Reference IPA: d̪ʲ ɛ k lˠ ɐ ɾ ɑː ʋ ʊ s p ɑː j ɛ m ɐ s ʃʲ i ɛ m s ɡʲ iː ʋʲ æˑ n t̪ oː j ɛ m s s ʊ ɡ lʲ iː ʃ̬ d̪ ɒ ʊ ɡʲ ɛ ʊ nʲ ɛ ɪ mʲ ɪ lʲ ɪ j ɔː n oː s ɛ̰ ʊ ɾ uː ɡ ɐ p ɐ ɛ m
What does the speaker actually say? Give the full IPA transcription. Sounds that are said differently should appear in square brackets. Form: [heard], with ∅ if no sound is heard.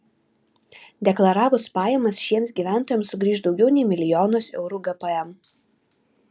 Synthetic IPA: d̪ʲ ɛ k lˠ ɐ ɾ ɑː ʋ ʊ s p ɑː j ɛ m ɐ s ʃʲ i ɛ m s ɡʲ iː ʋʲ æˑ n t̪ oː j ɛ m s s ʊ ɡ [ɾʲ] iː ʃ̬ d̪ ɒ ʊ ɡʲ ɛ ʊ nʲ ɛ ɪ mʲ ɪ lʲ ɪ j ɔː n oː s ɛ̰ ʊ ɾ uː ɡ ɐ p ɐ ɛ m

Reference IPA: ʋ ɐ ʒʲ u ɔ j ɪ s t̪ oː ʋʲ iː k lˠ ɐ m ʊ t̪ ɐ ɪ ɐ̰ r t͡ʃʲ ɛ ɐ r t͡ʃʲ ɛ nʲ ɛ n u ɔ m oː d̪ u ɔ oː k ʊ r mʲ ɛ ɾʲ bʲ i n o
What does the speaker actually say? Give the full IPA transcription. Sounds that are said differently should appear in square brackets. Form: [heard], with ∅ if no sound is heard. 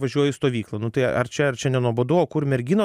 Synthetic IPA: ʋ ɐ ʒʲ u ɔ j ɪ s t̪ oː ʋʲ iː k lˠ ɐ [n] ʊ t̪ ɐ ɪ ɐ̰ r t͡ʃʲ ɛ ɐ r t͡ʃʲ ɛ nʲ ɛ n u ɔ [b] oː d̪ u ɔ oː k ʊ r mʲ ɛ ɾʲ [ɡʲ] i n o

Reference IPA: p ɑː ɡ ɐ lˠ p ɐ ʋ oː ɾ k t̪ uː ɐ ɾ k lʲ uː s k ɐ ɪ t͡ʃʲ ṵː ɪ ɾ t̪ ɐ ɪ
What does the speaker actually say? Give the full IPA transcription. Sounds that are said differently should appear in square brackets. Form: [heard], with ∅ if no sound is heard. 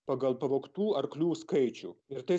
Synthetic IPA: p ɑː ɡ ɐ lˠ p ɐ ʋ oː [∅] k t̪ uː ɐ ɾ k lʲ uː s k ɐ ɪ t͡ʃʲ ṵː ɪ ɾ t̪ ɐ ɪ

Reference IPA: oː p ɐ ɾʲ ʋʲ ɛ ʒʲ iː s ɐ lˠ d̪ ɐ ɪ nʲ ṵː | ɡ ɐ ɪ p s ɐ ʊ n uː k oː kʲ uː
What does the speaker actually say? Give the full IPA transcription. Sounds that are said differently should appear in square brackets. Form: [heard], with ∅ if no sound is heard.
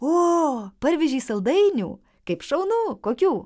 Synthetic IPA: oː p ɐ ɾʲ ʋʲ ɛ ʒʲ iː s ɐ lˠ d̪ ɐ ɪ nʲ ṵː | [k] ɐ ɪ p [ʃ] ɐ ʊ n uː k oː kʲ uː

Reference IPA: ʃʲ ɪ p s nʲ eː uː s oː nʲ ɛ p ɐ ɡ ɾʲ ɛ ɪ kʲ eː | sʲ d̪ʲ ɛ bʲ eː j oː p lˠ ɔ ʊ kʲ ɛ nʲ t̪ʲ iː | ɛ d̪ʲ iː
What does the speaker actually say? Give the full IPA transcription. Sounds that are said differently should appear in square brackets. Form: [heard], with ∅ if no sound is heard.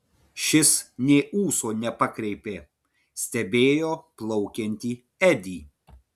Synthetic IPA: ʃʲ ɪ [∅] s nʲ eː uː s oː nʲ ɛ p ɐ [k] ɾʲ ɛ ɪ [pʲ] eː | sʲ [t̪ʲ] ɛ bʲ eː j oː p lˠ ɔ ʊ kʲ ɛ nʲ t̪ʲ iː | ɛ d̪ʲ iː

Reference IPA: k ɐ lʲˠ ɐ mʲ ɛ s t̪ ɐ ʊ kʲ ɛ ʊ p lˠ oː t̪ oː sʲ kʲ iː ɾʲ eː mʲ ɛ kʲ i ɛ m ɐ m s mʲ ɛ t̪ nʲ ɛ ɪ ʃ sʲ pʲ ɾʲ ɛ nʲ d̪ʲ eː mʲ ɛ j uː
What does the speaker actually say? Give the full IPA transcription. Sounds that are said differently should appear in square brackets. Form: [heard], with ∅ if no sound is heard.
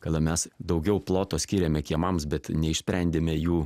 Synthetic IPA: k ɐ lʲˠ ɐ mʲ ɛ s [d̪] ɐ ʊ [ɡʲ] ɛ ʊ p lˠ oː t̪ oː sʲ kʲ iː ɾʲ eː mʲ ɛ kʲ i ɛ m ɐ m s [bʲ] ɛ t̪ nʲ ɛ ɪ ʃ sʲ pʲ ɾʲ ɛ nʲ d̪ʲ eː mʲ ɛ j uː

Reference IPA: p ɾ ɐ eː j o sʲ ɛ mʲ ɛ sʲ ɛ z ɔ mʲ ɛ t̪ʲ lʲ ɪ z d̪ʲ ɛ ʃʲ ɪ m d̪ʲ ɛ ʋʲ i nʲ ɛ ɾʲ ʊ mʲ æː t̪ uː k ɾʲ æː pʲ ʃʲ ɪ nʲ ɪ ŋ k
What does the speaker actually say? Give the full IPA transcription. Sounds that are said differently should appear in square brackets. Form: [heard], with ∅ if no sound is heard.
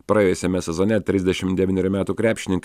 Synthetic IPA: p ɾ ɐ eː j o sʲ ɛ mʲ ɛ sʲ ɛ z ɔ [nʲ] ɛ t̪ʲ [ɾʲ] ɪ z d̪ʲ ɛ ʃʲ ɪ m d̪ʲ ɛ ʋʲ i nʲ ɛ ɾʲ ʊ mʲ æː t̪ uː k ɾʲ æː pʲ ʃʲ ɪ nʲ ɪ ŋ k

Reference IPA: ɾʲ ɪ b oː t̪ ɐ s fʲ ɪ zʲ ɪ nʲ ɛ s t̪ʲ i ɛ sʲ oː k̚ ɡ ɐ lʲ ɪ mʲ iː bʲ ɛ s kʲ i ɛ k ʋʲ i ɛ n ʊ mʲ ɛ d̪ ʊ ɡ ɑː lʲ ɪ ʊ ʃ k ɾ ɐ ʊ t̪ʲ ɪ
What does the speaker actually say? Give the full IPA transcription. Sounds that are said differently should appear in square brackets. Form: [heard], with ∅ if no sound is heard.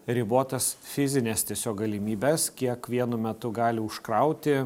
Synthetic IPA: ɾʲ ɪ b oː t̪ ɐ s fʲ ɪ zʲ ɪ nʲ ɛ s t̪ʲ i ɛ sʲ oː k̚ ɡ ɐ lʲ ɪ mʲ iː bʲ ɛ s kʲ i ɛ k ʋʲ i ɛ n ʊ mʲ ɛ [t̪] ʊ ɡ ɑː lʲ ɪ ʊ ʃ k ɾ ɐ ʊ t̪ʲ ɪ

